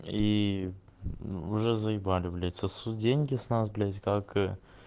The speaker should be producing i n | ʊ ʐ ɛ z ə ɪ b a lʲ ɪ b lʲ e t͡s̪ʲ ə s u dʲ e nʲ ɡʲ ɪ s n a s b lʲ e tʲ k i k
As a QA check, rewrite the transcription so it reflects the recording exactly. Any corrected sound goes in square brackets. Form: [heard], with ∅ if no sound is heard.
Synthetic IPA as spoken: i [∅] | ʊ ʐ ɛ z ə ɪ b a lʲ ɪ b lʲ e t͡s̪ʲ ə s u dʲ e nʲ ɡʲ ɪ s n a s b lʲ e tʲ k [a] k